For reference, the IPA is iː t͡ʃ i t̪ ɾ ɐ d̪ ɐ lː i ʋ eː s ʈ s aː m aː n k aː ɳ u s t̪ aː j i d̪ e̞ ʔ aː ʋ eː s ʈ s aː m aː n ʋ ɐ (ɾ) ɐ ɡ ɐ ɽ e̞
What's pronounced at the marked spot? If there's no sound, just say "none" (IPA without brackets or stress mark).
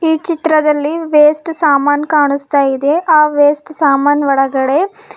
ɽ